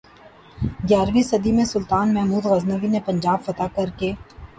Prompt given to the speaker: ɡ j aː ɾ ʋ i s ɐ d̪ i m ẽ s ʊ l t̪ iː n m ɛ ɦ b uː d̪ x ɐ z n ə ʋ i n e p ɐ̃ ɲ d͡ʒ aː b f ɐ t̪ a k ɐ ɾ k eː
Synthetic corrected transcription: ɡ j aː ɾ ʋ i s ɐ d̪ i m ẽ s ʊ l t̪ aː n m ɛ ɦ m uː d̪ ɣ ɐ z n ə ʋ i n e p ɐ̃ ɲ d͡ʒ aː b f ɐ t̪ a k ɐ ɾ k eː